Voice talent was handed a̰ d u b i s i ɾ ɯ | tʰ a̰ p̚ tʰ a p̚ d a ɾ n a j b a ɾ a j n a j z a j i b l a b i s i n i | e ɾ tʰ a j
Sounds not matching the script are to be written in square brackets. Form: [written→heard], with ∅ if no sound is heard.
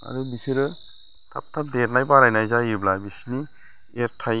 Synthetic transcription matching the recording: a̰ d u b i s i ɾ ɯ | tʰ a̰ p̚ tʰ a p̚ d [a→e] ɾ n a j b a ɾ a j n a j z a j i b l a b i s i n i | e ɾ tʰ a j